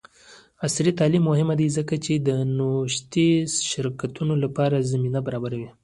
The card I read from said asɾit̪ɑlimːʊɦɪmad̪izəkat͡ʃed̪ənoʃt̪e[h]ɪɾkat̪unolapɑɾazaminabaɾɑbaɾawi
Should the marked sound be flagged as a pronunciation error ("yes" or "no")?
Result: yes